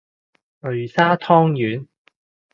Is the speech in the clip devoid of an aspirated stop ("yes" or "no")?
no